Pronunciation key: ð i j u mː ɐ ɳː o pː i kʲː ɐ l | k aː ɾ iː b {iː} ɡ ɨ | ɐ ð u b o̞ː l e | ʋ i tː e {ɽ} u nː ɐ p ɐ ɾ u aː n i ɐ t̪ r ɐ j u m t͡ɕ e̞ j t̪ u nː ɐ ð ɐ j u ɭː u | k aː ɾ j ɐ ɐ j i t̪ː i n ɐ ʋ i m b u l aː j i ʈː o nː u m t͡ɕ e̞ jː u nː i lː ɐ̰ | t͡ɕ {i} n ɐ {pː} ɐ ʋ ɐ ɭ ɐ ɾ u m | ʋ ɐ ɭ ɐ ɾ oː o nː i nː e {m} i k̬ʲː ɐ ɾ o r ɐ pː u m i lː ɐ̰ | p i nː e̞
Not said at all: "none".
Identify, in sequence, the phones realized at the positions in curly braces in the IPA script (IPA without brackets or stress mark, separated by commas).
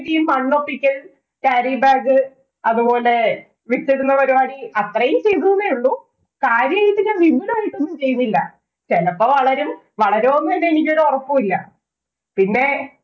aː, ɽ, e, pː, n